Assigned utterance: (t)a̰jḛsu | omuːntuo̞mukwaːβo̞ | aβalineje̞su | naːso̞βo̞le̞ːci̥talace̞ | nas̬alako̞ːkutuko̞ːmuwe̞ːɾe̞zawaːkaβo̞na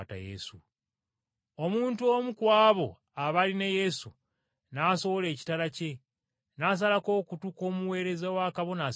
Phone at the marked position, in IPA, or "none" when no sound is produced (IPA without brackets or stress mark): t